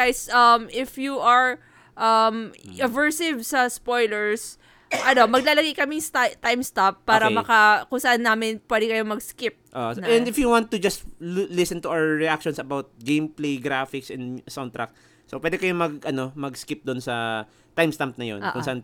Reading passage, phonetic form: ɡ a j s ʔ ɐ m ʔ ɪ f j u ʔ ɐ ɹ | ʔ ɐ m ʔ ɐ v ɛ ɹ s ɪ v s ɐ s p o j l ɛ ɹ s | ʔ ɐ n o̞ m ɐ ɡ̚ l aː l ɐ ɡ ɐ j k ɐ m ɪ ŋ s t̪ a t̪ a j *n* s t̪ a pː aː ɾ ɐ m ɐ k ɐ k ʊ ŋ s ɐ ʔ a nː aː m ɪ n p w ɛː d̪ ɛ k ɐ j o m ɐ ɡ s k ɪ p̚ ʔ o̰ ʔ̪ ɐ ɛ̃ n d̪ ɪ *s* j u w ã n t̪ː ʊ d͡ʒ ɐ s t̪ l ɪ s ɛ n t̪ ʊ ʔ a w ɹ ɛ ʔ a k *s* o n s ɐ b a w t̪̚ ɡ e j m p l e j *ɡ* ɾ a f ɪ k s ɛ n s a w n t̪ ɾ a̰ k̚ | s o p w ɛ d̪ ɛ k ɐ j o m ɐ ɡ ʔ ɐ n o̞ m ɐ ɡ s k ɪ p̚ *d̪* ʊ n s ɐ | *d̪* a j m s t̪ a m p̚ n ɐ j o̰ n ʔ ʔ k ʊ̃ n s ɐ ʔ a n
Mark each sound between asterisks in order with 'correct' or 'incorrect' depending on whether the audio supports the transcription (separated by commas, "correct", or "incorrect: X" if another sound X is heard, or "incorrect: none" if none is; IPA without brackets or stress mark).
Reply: incorrect: m, incorrect: f, incorrect: ʃ, correct, correct, incorrect: t̪